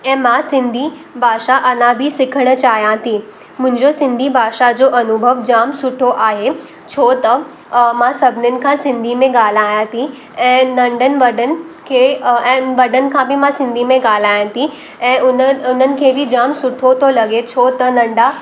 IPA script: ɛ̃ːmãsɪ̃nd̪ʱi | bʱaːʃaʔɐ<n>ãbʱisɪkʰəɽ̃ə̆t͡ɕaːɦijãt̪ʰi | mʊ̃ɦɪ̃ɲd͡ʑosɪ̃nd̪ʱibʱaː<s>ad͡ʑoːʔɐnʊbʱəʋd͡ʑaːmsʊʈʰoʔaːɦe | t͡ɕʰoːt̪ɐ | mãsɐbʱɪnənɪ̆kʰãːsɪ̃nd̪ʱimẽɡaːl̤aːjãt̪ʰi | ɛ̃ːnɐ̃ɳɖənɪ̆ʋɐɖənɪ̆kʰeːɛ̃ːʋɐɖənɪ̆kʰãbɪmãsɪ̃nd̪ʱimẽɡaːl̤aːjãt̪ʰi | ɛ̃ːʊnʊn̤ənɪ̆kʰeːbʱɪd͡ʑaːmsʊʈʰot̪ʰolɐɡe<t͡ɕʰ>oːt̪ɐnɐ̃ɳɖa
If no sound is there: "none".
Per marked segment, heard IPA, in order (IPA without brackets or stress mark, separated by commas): n, ʃ, t͡ɕʰ